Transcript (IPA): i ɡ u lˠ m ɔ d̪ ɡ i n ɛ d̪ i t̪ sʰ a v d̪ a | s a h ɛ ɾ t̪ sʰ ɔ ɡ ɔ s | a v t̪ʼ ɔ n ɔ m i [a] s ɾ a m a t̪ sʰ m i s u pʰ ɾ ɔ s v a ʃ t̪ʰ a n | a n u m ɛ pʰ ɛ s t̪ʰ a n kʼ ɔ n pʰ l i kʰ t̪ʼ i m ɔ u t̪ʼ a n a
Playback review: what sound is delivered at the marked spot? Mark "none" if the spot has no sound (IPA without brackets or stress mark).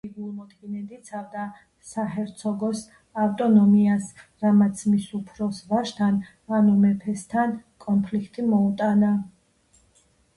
a